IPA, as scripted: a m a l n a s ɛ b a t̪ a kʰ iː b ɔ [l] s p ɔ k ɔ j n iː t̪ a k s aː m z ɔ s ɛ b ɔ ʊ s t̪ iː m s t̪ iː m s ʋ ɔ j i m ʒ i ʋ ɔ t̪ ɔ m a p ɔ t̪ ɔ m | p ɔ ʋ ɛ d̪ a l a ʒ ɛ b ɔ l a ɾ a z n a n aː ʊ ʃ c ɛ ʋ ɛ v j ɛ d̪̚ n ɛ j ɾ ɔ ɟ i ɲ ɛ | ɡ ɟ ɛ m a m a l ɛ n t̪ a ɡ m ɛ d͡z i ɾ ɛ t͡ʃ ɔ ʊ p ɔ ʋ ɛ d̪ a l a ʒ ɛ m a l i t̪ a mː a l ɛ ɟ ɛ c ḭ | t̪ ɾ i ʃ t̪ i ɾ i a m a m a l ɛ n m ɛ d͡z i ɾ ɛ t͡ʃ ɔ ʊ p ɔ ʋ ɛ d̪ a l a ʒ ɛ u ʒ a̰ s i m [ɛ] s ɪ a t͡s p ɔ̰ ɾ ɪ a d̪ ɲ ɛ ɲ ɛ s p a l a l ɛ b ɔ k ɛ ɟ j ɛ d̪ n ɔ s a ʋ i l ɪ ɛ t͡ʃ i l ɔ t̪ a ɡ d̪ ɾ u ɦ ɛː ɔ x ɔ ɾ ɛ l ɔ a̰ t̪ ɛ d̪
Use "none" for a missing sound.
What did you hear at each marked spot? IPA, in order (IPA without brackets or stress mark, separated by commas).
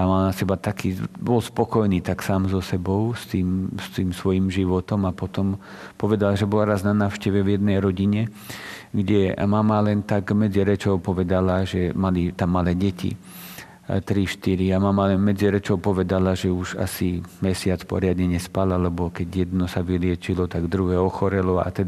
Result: l, ɛ